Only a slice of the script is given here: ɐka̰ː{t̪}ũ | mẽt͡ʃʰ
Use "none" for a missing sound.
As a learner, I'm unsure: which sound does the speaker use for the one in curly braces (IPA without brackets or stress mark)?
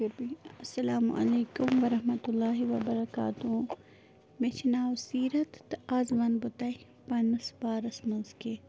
t̪